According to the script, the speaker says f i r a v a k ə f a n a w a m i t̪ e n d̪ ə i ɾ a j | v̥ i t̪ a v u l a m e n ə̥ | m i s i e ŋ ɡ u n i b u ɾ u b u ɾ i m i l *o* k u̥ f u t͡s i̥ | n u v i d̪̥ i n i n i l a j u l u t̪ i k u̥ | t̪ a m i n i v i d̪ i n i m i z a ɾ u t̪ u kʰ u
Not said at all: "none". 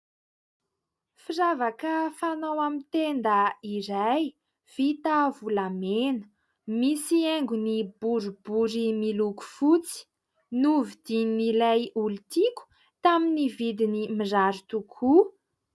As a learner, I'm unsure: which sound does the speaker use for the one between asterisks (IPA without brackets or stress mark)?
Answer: u